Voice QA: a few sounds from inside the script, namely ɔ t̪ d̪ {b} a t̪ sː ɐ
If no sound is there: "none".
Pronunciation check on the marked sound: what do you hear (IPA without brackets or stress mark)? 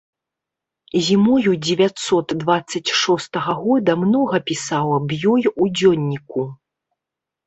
v